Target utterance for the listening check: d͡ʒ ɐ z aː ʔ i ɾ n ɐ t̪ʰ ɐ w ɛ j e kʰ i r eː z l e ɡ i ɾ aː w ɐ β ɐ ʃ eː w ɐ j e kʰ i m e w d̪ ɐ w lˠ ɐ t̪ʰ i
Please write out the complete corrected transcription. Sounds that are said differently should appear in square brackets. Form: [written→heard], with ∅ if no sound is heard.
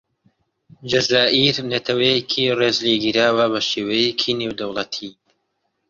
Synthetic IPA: d͡ʒ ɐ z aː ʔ i ɾ n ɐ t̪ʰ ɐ w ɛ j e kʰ i r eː z l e ɡ i ɾ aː w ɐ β ɐ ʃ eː w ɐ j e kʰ i [m→n] e w d̪ ɐ w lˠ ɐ t̪ʰ i